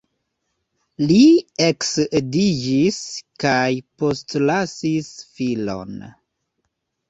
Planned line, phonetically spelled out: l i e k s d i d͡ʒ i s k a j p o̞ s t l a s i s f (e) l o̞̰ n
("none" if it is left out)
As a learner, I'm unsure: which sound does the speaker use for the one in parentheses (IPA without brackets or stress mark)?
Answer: i